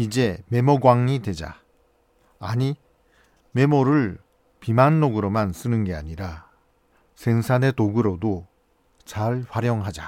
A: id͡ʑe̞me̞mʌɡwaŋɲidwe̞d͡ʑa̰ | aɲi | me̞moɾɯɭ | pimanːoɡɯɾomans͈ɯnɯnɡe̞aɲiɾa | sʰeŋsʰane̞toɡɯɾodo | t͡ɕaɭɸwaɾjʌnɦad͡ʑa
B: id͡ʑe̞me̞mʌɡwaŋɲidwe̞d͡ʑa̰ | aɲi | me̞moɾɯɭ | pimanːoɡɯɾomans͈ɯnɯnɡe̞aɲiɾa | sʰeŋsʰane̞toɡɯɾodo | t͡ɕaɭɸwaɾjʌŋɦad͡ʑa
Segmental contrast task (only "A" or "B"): B